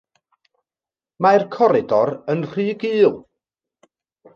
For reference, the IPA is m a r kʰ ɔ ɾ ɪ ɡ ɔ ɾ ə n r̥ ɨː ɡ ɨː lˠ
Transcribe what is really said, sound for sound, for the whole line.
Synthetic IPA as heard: m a r kʰ ɔ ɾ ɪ d ɔ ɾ ə n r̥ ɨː ɡ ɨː lˠ